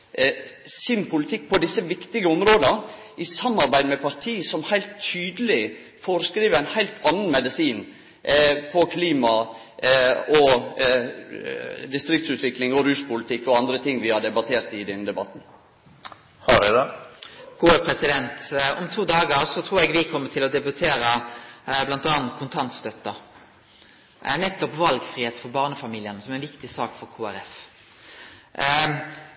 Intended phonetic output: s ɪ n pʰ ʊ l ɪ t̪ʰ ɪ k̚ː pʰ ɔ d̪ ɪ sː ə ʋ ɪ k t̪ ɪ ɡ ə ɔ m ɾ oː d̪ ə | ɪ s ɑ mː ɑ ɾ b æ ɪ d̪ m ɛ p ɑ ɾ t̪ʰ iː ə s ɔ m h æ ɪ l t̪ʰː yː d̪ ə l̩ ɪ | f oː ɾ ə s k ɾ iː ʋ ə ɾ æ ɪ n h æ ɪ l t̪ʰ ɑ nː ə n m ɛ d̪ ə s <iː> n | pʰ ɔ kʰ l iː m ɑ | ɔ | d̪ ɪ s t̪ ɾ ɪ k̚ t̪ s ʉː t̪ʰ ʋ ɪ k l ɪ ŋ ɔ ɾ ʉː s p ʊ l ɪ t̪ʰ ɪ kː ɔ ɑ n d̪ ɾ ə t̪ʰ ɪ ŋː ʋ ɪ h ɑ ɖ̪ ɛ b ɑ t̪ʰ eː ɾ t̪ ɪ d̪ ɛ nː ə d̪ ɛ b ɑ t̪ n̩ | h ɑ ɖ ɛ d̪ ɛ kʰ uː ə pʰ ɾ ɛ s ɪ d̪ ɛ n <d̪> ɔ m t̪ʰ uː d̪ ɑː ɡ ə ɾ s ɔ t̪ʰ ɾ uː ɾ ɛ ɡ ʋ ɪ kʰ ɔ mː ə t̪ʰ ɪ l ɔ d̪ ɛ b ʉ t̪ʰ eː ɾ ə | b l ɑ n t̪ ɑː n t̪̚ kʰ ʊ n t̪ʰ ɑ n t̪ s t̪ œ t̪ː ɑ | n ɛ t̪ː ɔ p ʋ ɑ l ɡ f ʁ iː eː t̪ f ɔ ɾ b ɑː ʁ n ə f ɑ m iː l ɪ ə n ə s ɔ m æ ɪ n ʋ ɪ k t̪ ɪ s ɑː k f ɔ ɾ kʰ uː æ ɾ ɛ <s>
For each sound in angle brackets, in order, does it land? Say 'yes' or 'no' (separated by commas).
yes, no, no